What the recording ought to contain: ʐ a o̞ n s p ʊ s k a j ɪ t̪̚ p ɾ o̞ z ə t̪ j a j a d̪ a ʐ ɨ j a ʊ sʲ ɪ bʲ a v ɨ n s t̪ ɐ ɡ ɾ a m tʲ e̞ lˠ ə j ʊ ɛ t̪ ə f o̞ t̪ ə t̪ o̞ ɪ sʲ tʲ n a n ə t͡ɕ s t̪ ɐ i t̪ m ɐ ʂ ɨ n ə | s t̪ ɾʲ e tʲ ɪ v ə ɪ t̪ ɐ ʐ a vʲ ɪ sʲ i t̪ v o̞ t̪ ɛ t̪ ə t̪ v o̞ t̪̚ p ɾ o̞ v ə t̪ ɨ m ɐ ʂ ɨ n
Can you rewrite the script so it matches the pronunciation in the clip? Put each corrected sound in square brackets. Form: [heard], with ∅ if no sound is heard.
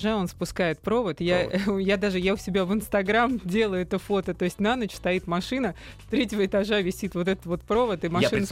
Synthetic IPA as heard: ʐ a o̞ n s p ʊ s k a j ɪ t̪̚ p ɾ o̞ [v] ə t̪ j a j a d̪ a ʐ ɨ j a ʊ sʲ ɪ bʲ a v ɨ n s t̪ ɐ ɡ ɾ a m [dʲ] e̞ lˠ ə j ʊ ɛ t̪ ə f o̞ t̪ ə t̪ o̞ ɪ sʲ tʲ n a n ə t͡ɕ s t̪ ɐ i t̪ m ɐ ʂ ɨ n ə | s t̪ ɾʲ e tʲ ɪ v ə ɪ t̪ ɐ ʐ a vʲ ɪ sʲ i t̪ v o̞ t̪ ɛ t̪ ə t̪ v o̞ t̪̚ p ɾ o̞ v ə t̪ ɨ m ɐ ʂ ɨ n